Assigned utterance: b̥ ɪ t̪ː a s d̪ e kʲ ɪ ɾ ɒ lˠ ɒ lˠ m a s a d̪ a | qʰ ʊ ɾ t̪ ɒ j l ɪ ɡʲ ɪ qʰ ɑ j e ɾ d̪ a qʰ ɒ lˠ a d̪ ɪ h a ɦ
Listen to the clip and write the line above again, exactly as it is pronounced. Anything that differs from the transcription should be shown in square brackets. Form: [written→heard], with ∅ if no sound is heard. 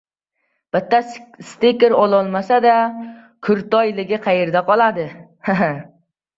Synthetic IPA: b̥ ɪ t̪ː a s [d̪→t̪] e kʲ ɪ ɾ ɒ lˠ ɒ lˠ m a s a d̪ a | [qʰ→kʰ] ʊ ɾ t̪ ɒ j l ɪ ɡʲ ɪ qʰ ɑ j e ɾ d̪ a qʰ ɒ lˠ a d̪ ɪ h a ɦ